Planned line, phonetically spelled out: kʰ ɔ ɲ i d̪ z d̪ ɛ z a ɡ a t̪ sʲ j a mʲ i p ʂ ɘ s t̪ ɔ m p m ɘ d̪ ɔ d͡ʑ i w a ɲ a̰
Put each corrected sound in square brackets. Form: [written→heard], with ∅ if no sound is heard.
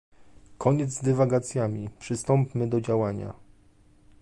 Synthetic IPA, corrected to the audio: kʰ ɔ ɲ [i→ɛ] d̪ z d̪ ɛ [z→v] a ɡ a t̪ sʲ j a mʲ i p ʂ ɘ s t̪ ɔ m p m ɘ d̪ ɔ d͡ʑ [i→a] w a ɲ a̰